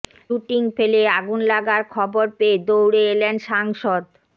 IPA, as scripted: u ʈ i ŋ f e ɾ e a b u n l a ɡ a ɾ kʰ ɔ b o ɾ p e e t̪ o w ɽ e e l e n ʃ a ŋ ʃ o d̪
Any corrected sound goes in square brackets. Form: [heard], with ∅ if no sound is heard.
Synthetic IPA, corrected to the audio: u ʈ i ŋ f e [l] e a [ɡ] u n l a ɡ a ɾ kʰ ɔ b o ɾ p e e [d̪] o w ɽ e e l e n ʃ a ŋ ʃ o d̪

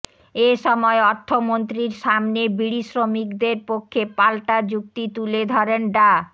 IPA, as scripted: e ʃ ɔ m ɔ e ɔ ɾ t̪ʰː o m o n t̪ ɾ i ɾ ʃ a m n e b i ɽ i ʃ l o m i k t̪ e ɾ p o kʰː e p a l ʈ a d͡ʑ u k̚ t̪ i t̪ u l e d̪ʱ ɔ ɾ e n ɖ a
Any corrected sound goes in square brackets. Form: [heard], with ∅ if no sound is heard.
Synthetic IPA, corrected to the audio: e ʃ ɔ m ɔ e ɔ ɾ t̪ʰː o m o n t̪ ɾ i ɾ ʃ a m n e b i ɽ i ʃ [ɾ] o m i k [d̪] e ɾ p o kʰː e p a l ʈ a d͡ʑ u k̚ t̪ i t̪ u l e d̪ʱ ɔ ɾ e n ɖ a

